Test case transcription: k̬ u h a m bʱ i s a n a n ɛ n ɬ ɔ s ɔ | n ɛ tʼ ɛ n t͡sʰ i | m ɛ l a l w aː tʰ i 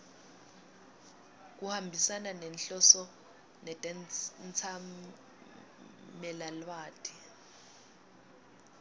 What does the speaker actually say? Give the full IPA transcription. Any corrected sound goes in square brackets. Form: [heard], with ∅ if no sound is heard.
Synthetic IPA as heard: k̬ u h a m bʱ i s a n a n ɛ n ɬ ɔ s ɔ | n ɛ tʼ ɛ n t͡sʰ [a] | m ɛ l a l w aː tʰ i